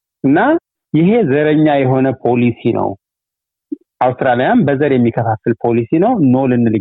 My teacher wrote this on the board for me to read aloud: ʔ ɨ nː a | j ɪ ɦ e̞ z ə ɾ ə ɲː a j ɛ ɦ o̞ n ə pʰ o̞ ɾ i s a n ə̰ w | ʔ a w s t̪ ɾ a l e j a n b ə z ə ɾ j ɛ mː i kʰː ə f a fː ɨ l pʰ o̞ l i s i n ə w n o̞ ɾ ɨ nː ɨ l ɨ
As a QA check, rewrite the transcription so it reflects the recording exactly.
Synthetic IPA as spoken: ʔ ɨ nː a | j ɪ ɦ e̞ z ə ɾ ə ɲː a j ɛ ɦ o̞ n ə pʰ o̞ l i s i n ə̰ w | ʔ a w s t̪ ɾ a l i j a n b ə z ə ɾ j ɛ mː i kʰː ə f a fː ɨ l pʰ o̞ l i s i n ə w n o̞ l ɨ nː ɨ l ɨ